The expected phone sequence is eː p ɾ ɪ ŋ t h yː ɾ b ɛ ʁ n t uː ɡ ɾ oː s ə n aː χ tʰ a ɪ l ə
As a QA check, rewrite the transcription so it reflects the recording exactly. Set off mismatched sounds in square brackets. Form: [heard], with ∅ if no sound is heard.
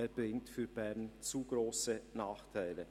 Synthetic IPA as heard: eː [b] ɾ ɪ ŋ t [f] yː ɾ b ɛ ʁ n [t͡s] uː ɡ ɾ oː s ə n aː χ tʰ a ɪ l ə

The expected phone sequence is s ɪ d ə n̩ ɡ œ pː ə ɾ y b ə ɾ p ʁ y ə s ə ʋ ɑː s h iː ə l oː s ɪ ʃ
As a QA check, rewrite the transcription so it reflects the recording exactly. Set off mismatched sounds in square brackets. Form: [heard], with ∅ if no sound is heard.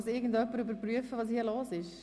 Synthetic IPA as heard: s ɪ [ɡ] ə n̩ [d] œ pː ə ɾ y b ə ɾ p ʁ y ə [f] ə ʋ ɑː s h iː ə l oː s ɪ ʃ

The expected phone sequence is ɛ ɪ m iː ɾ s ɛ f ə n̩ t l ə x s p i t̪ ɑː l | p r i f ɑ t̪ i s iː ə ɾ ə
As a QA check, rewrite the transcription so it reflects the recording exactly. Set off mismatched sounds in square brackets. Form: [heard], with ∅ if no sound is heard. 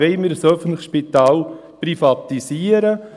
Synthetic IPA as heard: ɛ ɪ m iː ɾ s [œ] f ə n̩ t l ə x [ʃ] p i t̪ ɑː l | p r i f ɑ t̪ i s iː ə ɾ ə

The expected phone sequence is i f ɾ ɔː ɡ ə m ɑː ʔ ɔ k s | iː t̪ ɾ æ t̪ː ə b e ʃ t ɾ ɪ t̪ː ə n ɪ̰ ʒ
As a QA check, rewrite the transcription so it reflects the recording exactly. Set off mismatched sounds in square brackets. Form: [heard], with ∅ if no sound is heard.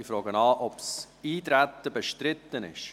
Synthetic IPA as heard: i f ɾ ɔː ɡ ə [n] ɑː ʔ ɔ [p] s | iː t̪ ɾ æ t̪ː ə b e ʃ t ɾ ɪ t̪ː ə n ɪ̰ [ʃ]

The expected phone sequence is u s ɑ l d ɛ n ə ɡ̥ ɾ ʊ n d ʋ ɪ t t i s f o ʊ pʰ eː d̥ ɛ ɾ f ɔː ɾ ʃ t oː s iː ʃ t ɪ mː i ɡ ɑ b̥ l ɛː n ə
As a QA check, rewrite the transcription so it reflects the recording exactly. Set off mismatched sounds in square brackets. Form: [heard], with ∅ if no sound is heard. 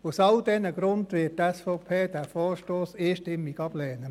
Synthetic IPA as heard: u s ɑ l d ɛ n ə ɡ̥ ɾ ʊ n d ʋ ɪ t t [ɛ] s f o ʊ pʰ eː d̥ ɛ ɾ f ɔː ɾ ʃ t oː s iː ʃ t ɪ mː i ɡ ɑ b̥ l ɛː n ə

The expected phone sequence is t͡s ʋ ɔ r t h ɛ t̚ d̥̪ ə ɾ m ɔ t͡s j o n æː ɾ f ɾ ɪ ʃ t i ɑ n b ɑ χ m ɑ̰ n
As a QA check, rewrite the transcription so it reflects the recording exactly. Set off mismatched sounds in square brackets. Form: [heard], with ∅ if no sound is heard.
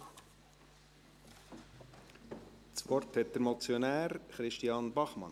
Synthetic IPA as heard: t͡s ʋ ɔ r t h ɛ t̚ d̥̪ ə ɾ m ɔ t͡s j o n æː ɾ [χ] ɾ ɪ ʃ t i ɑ n b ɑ χ m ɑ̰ n

